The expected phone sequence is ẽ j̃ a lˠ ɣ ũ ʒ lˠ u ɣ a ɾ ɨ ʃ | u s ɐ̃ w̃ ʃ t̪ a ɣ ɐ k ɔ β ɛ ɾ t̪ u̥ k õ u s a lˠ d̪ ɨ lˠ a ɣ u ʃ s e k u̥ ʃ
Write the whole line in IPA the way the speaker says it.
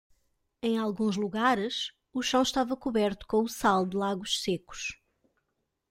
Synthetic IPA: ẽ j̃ a lˠ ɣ ũ ʒ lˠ u ɣ a ɾ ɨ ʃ | u ʃ ɐ̃ w̃ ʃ t̪ a v ɐ k u β ɛ ɾ t̪ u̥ k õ u s a lˠ d̪ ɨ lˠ a ɣ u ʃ s e k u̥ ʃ